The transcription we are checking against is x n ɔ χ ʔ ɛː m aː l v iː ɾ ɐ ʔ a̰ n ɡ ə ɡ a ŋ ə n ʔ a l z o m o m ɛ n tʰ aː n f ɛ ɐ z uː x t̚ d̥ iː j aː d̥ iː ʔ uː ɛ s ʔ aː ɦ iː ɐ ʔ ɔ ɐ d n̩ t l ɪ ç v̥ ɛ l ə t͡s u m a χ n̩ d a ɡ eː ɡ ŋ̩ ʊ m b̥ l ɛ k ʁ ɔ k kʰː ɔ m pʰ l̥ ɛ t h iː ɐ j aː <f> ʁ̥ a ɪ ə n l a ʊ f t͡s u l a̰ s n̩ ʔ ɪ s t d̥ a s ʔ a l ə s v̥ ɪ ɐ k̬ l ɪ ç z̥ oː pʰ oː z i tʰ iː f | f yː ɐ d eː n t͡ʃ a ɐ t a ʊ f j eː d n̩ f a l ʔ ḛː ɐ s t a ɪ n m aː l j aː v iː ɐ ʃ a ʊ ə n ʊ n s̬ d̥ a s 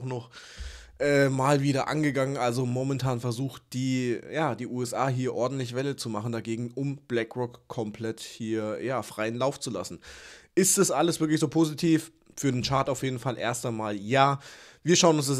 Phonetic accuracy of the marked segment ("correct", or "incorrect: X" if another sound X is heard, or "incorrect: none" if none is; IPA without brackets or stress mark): correct